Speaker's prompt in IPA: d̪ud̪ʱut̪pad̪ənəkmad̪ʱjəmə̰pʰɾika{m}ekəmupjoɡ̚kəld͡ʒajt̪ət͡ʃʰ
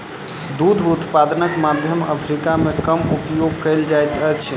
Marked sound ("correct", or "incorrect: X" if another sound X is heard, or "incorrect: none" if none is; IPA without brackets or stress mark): correct